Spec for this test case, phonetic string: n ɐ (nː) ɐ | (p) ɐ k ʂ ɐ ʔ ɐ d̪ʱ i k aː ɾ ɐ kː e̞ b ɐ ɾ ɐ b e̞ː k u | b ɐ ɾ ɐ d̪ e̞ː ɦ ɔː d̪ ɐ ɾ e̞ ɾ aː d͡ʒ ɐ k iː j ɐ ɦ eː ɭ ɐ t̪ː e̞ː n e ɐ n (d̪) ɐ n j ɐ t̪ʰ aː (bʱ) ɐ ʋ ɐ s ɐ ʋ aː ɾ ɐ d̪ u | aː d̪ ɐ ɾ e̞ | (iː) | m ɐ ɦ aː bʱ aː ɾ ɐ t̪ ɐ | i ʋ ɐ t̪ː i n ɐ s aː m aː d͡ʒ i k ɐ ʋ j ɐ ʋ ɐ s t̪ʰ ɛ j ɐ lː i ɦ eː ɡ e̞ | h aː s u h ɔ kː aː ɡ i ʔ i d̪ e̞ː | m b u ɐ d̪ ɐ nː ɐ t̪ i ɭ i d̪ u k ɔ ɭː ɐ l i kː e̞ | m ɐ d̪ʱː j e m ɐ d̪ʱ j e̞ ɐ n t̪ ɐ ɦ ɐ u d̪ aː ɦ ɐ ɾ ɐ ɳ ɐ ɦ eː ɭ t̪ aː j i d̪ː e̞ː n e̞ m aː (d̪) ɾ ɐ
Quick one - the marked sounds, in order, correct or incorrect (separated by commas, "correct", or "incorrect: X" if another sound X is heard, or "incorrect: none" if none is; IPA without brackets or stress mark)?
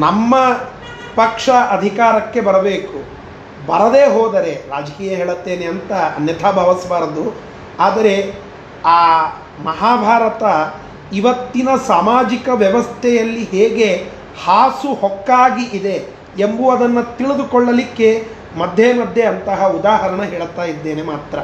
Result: incorrect: mː, correct, incorrect: t̪, correct, incorrect: aː, incorrect: t̪